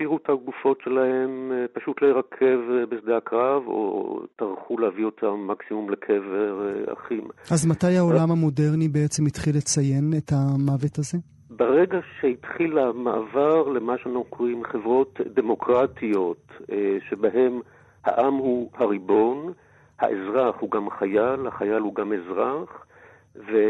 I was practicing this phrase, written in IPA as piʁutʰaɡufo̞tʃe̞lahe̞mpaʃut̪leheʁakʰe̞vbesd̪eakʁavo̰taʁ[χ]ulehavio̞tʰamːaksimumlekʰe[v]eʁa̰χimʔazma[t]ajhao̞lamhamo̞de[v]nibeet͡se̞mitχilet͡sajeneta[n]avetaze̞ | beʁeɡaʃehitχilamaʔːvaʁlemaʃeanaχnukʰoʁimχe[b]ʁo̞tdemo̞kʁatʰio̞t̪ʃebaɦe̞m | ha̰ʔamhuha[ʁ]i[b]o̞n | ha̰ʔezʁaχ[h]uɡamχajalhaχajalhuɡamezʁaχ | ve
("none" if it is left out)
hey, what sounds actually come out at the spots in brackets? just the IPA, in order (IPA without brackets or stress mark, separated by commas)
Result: χ, v, t, ʁ, m, v, ʁ, b, h